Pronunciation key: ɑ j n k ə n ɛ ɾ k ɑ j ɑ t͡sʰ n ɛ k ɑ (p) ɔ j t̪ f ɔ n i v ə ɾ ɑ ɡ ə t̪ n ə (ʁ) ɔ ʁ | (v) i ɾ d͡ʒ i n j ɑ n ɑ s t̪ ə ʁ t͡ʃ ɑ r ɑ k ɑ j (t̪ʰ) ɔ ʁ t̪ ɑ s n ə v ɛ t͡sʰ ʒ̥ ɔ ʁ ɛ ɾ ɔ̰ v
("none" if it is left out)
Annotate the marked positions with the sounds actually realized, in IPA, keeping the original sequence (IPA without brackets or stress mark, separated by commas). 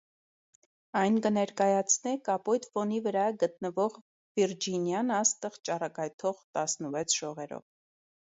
p, v, v, t̪ʰ